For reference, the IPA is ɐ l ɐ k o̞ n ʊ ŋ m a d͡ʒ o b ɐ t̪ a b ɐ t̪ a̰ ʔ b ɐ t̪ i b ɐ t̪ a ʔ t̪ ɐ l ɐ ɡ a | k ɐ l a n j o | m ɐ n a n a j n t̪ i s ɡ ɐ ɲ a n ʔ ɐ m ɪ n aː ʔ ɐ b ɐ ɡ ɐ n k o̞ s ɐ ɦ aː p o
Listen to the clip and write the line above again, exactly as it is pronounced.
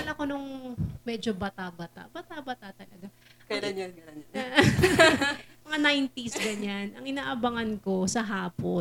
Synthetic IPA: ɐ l ɐ k o̞ n ʊ ŋ m ɛ d͡ʒ o b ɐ t̪ a b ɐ t̪ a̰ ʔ b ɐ t̪ a b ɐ t̪ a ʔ t̪ ɐ l ɐ ɡ a | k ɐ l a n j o | m ɐ ŋ a n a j n t̪ i s ɡ ɐ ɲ a n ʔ ɐ ŋ ɪ n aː ʔ ɐ b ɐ ŋ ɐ n k o̞ s ɐ ɦ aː p o